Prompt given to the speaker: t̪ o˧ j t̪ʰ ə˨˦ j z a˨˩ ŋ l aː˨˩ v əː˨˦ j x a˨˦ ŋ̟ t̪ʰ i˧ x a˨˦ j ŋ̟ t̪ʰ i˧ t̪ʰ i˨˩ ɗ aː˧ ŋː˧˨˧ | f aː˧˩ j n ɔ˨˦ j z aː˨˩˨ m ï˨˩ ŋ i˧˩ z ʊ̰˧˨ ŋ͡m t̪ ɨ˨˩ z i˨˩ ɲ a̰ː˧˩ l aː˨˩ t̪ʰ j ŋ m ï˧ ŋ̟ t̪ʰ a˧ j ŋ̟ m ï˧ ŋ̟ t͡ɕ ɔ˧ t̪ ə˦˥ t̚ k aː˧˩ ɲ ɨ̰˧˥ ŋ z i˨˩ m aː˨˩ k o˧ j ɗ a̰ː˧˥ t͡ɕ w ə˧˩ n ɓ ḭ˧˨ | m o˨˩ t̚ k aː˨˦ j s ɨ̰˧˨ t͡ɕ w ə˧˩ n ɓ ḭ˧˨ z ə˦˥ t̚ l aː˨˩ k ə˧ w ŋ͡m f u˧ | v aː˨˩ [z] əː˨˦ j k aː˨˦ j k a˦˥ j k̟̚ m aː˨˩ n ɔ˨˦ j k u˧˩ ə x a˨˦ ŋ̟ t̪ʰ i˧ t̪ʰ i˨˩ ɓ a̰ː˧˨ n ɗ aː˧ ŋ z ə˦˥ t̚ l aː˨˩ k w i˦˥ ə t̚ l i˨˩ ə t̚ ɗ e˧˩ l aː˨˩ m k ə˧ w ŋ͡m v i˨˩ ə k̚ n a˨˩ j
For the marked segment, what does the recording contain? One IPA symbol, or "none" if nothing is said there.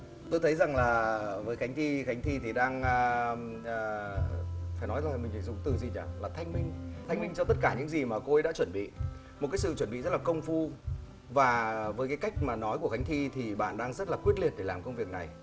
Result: v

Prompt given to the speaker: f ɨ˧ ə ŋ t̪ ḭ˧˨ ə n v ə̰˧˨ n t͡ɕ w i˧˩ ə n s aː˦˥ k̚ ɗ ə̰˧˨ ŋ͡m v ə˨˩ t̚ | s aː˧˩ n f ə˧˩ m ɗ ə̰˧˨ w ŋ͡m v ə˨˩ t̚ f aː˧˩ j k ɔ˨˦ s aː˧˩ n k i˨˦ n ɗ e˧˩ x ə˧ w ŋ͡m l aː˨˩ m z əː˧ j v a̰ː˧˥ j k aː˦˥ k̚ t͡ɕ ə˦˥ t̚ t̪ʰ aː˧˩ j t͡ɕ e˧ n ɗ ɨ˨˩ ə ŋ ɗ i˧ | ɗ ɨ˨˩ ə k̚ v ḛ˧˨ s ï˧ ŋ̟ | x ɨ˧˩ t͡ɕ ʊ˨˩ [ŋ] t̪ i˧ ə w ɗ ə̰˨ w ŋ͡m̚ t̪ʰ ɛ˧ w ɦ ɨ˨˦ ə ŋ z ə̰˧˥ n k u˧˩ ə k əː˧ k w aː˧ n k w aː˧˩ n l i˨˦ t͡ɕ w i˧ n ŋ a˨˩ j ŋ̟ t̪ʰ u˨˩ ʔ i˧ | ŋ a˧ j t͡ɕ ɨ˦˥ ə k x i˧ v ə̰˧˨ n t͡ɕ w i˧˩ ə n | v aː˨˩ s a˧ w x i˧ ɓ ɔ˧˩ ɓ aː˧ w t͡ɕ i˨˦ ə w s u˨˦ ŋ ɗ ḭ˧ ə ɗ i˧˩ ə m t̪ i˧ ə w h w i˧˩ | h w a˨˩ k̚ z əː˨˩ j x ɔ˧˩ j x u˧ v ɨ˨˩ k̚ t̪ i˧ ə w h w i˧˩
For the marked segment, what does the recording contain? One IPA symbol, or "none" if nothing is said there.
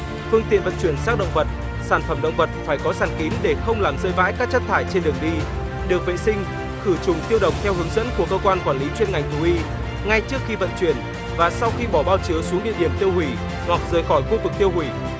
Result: ŋ͡m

